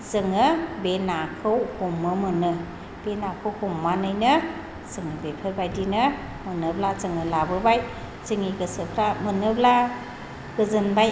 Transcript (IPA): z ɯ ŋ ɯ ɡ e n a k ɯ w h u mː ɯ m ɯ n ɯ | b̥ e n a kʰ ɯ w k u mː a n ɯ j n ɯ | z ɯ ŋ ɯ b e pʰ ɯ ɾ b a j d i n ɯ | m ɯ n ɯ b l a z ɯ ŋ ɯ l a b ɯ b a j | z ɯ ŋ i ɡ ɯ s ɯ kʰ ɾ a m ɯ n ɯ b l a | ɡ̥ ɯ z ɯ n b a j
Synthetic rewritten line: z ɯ ŋ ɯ b e n a kʰ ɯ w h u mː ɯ m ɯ n ɯ | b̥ e n a kʰ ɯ w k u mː a n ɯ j n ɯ | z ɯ ŋ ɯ b e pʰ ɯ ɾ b a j d i n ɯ | m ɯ n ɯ b l a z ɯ ŋ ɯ l a b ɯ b a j | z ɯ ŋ i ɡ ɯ s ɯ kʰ ɾ a m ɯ n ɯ b l a | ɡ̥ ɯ z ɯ n b a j

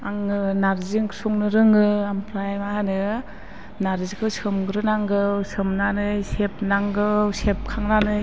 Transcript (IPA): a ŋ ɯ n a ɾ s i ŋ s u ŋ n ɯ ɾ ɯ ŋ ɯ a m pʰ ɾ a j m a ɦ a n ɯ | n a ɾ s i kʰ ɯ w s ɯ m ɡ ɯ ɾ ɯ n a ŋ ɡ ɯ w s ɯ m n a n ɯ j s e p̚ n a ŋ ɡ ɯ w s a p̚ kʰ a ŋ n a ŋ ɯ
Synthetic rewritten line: a ŋ ɯ n a ɾ z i ŋ s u ŋ n ɯ ɾ ɯ ŋ ɯ a m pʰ ɾ a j m a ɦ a n ɯ | n a ɾ z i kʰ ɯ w s ɯ m ɡ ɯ ɾ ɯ n a ŋ ɡ ɯ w s ɯ m n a n ɯ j s e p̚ n a ŋ ɡ ɯ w s e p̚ kʰ a ŋ n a n ɯ

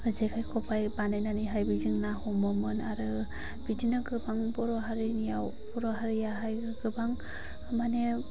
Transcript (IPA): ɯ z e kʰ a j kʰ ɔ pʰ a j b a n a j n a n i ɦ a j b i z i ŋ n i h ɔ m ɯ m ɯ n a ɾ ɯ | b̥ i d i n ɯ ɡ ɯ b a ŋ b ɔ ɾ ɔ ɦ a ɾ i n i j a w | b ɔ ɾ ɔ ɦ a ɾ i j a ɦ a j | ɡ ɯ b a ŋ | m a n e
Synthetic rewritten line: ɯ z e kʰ a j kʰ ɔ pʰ a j b a n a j n a n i ɦ a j b i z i ŋ n a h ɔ m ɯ m ɯ n a ɾ ɯ | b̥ i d i n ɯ ɡ ɯ b a ŋ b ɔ ɾ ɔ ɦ a ɾ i n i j a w | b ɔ ɾ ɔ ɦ a ɾ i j a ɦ a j | ɡ ɯ b a ŋ | m a n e

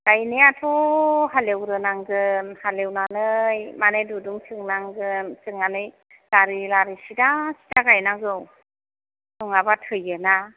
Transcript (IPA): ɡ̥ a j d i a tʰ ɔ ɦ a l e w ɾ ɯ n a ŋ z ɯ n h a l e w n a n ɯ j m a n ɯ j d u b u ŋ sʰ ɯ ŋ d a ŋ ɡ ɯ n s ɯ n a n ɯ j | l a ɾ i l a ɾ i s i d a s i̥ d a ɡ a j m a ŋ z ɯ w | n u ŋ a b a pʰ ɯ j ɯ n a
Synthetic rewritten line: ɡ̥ a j n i a tʰ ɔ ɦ a l e w ɾ ɯ n a ŋ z ɯ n h a l e w n a n ɯ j m a n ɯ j d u d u ŋ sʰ ɯ ŋ n a ŋ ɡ ɯ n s ɯ ŋ a n ɯ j | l a ɾ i l a ɾ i s i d a s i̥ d a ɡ a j n a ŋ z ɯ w | n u ŋ a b a tʰ ɯ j ɯ n a

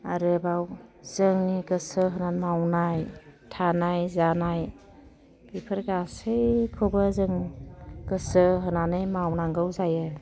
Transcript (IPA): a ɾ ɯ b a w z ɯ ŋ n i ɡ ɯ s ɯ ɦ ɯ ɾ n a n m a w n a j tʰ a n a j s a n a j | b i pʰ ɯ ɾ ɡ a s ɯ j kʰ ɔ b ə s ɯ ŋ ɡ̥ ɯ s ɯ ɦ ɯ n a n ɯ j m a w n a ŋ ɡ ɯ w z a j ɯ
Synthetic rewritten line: a ɾ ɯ b a w z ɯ ŋ n i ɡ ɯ s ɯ ɦ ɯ n a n m a w n a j tʰ a n a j z a n a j | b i pʰ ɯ ɾ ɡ a s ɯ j kʰ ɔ b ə z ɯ ŋ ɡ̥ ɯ s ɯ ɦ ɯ n a n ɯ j m a w n a ŋ ɡ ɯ w z a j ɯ

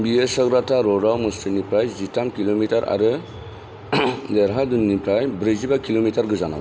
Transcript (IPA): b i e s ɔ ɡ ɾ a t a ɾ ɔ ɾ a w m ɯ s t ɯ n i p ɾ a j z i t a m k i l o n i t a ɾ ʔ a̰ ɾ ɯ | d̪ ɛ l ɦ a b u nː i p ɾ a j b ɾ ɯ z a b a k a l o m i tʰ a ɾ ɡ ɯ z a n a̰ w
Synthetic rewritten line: b i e s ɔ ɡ ɾ a t a ɾ ɔ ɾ a w m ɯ s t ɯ n i p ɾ a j z i t a m k i l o m i t a ɾ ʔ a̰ ɾ ɯ | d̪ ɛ ɾ ɦ a d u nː i p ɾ a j b ɾ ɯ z i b a k i l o m i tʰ a ɾ ɡ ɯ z a n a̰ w

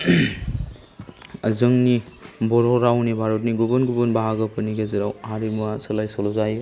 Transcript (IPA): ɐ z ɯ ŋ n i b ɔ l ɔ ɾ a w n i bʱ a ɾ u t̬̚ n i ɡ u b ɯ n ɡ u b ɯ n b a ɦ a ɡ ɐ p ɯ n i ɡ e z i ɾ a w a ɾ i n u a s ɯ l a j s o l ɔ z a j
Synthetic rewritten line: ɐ z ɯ ŋ n i b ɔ ɾ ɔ ɾ a w n i bʱ a ɾ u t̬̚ n i ɡ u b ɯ n ɡ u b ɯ n b a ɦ a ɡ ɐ p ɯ n i ɡ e z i ɾ a w a ɾ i m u a s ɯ l a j s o l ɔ z a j

